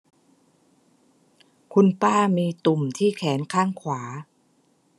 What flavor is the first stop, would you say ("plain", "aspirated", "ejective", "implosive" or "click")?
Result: aspirated